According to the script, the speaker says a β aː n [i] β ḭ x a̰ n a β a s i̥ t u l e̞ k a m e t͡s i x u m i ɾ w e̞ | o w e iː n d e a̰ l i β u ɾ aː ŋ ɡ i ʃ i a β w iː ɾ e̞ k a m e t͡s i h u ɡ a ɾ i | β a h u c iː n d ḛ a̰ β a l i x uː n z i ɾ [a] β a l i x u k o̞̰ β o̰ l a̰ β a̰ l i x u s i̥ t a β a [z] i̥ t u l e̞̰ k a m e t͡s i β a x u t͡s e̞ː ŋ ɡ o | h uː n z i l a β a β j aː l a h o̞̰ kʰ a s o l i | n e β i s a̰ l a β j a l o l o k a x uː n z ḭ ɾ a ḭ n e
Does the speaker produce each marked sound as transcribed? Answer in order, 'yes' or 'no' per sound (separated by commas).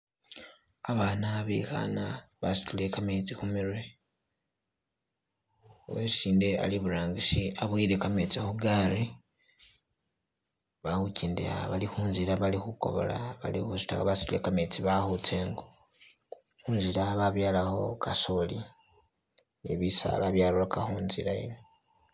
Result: no, yes, no